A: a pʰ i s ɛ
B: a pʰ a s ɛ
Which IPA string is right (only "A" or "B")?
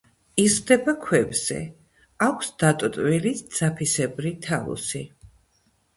A